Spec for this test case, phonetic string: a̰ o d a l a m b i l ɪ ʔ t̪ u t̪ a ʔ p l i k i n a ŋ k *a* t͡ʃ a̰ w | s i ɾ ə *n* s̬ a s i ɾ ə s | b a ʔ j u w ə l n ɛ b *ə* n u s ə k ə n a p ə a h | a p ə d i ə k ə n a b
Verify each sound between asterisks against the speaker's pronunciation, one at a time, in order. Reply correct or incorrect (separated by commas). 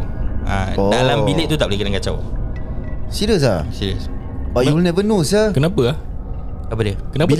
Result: correct, incorrect, correct